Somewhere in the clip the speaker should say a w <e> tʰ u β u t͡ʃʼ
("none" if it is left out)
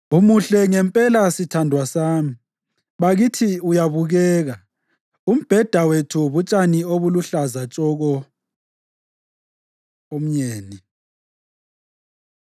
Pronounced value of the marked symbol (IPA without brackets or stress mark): e